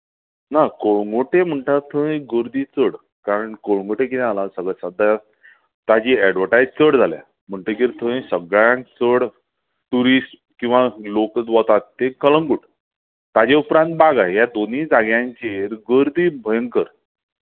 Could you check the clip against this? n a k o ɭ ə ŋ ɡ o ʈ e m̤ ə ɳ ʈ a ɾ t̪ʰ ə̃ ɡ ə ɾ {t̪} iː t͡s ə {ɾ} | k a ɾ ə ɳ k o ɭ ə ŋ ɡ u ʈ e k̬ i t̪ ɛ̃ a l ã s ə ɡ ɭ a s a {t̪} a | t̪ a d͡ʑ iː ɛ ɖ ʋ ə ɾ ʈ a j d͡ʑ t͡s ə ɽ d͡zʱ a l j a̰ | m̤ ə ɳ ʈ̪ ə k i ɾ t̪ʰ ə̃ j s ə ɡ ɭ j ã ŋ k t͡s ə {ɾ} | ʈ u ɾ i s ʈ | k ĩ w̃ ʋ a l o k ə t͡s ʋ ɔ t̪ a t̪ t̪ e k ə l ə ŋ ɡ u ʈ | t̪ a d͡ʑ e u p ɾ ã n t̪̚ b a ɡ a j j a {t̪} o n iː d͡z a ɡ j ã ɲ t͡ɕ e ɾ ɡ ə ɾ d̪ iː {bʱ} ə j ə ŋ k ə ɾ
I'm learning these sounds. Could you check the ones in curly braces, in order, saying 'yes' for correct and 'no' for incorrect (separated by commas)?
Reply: no, no, no, no, no, yes